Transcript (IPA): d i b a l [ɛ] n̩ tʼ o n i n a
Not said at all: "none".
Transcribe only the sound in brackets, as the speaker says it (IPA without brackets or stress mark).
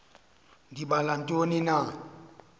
a